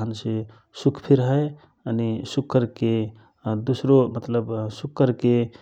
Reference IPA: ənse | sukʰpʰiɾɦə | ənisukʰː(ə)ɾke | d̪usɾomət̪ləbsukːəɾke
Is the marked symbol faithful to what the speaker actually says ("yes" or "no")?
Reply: yes